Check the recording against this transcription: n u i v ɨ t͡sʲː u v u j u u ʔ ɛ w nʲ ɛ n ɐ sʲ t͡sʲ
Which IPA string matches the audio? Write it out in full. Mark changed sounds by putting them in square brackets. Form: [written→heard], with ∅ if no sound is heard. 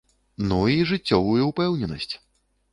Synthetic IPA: n u i [v→ʐ] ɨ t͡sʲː [u→ɔ] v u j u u [ʔ→p] ɛ w nʲ ɛ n ɐ sʲ t͡sʲ